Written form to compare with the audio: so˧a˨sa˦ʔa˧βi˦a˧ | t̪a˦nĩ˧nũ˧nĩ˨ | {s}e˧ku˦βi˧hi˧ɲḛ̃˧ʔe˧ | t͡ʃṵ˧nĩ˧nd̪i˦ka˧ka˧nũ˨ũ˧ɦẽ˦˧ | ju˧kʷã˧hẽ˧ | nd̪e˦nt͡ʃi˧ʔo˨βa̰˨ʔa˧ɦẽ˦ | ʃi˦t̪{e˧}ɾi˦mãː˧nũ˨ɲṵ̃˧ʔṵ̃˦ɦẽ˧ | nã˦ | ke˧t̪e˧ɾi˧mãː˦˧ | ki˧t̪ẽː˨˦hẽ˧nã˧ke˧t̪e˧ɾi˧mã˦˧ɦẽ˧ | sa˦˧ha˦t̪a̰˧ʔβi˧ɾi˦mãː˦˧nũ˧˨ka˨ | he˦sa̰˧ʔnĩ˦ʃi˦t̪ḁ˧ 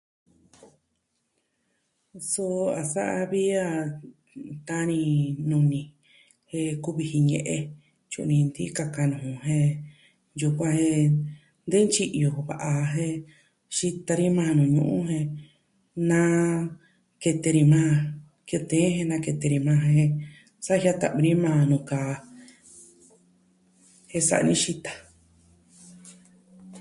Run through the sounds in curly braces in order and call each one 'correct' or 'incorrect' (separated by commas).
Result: incorrect, incorrect